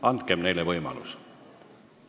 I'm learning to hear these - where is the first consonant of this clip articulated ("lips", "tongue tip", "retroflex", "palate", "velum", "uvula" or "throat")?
tongue tip